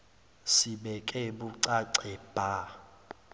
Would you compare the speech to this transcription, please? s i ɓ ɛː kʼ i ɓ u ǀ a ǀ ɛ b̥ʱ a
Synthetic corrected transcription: s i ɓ ɛ kʼ ɛ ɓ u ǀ a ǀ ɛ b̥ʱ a